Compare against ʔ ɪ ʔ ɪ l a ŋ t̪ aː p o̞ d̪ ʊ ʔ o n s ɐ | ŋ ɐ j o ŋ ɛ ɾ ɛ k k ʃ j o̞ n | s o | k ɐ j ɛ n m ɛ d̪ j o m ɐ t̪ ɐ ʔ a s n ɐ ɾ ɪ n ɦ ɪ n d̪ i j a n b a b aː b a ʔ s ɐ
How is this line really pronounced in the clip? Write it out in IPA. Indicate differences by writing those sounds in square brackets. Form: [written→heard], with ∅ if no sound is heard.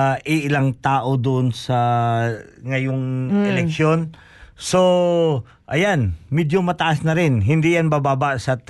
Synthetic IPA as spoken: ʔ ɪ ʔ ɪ l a ŋ t̪ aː [p→ʔ] o̞ d̪ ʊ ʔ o n s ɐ | ŋ ɐ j o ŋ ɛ [ɾ→l] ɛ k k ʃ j o̞ n | s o | [k→ʔ] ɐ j [ɛ→a] n m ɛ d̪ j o m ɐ t̪ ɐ ʔ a s n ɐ ɾ ɪ n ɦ ɪ n d̪ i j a n b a b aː b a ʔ s ɐ